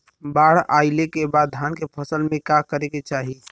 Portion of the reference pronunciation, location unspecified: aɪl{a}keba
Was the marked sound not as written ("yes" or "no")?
yes